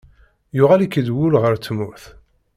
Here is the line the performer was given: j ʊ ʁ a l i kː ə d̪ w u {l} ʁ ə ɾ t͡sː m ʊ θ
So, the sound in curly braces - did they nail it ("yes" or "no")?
yes